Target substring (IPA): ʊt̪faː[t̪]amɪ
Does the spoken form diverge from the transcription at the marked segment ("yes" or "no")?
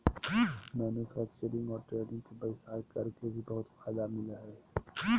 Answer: yes